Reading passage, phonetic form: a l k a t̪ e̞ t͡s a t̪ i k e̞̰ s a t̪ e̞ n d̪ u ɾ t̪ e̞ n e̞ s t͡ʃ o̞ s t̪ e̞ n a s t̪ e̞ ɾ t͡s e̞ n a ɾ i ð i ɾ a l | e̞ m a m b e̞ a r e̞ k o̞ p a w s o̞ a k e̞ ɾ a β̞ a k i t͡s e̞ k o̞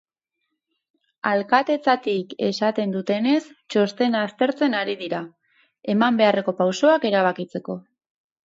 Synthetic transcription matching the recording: a l k a t̪ e̞ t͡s a t̪ i k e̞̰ s a t̪ e̞ n d̪ u t̪ e̞ n e̞ s t͡ʃ o̞ s t̪ e̞ n a s t̪ e̞ ɾ t͡s e̞ n a ɾ i ð i ɾ a | e̞ m a m b e̞ a r e̞ k o̞ p a w s o̞ a k e̞ ɾ a β̞ a k i t͡s e̞ k o̞